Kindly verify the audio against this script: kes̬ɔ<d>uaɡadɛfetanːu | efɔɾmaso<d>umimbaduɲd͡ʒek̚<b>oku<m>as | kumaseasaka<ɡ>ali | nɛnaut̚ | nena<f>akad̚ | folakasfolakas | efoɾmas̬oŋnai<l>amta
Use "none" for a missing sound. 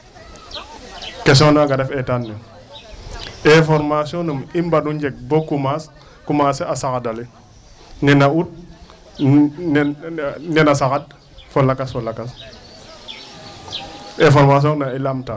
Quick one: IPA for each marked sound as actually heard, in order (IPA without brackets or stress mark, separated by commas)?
n, n, b, m, d, s, l